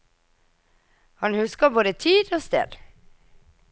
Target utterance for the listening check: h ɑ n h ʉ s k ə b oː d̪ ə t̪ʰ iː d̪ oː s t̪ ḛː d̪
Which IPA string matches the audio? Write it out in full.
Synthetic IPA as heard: h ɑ n h ʉ s k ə b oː d̪ ə t̪ʰ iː d̪ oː s t̪ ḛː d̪